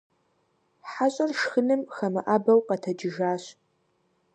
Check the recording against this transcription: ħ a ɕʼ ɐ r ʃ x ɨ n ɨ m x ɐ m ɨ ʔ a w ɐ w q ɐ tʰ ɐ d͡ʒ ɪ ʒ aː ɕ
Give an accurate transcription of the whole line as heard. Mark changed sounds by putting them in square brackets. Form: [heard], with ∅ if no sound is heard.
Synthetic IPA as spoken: ħ a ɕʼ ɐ r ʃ x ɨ n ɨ m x ɐ m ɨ ʔ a [b] ɐ w q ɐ tʰ ɐ d͡ʒ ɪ ʒ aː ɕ